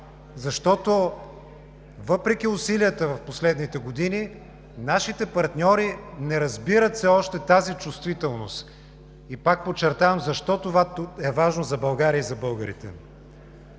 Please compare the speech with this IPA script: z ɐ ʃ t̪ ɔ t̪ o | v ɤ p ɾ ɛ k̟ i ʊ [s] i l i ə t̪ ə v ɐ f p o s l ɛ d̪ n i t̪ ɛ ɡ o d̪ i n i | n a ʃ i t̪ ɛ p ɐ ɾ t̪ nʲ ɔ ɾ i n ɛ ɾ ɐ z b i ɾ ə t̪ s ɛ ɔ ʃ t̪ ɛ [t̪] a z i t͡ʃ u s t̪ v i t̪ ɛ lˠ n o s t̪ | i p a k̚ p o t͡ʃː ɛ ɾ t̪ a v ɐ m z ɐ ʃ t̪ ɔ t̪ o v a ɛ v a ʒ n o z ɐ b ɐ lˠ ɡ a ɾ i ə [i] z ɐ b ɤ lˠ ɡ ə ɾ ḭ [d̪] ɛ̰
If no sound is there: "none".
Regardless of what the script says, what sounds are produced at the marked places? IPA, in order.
s, t̪, i, t̪

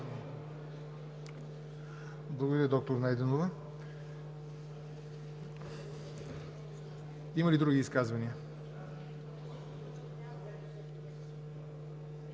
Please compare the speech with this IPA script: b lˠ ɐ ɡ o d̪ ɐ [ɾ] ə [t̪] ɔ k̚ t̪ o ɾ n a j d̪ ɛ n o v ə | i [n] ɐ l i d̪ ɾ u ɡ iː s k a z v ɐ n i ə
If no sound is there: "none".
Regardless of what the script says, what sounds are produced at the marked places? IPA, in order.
ɾ, d̪, m

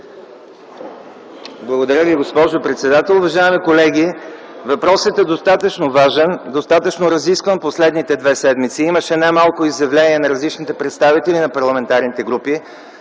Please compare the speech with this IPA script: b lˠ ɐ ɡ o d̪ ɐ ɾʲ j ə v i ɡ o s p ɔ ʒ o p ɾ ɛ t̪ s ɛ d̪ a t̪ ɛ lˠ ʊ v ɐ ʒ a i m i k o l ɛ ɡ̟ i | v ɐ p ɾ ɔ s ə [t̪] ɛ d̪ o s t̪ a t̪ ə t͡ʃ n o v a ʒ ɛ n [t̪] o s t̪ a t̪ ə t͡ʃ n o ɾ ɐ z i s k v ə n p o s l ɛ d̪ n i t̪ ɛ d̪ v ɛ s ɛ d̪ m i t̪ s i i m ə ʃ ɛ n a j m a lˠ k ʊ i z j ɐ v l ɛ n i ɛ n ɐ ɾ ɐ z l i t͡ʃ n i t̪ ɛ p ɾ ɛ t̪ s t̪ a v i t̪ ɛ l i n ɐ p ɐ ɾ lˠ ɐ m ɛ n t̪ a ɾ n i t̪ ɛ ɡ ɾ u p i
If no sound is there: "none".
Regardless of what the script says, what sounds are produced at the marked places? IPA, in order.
t̪, d̪

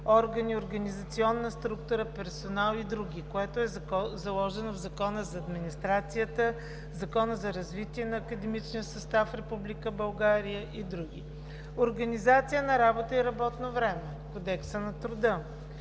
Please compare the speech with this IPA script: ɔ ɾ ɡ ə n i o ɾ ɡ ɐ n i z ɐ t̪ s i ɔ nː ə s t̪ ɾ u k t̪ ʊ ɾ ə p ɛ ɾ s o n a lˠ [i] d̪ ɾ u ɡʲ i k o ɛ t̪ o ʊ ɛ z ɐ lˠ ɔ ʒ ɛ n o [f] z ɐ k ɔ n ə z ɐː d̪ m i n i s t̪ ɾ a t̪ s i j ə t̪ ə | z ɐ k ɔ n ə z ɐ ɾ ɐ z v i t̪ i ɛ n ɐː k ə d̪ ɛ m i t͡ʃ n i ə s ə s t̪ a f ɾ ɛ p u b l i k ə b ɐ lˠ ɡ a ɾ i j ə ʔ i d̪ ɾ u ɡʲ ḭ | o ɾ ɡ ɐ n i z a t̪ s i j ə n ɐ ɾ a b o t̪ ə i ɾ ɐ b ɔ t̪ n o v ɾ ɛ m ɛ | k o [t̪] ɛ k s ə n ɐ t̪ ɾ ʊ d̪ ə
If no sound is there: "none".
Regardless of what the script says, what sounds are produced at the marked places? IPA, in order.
i, v, d̪

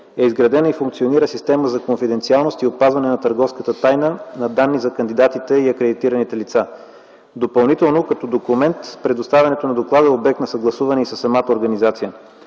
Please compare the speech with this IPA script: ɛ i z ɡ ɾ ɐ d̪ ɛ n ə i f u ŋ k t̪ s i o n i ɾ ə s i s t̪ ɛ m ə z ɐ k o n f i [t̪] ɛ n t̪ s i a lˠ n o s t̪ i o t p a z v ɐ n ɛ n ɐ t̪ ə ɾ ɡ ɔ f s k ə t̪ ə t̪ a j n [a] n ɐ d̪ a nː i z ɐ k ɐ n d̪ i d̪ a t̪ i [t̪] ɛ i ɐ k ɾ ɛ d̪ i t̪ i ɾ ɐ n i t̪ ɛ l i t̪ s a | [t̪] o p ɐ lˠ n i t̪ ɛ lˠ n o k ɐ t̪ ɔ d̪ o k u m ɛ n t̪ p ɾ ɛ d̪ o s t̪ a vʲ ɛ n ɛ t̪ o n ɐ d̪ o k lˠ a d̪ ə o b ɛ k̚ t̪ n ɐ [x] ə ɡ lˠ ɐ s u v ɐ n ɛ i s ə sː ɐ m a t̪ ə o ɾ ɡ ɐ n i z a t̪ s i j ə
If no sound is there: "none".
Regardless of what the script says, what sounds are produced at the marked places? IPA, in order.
d̪, ə, t̪, d̪, s

